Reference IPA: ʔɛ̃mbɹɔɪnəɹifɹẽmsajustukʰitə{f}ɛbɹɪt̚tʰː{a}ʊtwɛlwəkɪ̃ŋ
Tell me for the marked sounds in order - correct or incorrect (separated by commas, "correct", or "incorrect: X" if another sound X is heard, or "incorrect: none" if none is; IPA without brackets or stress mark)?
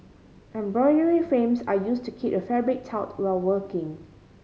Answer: correct, correct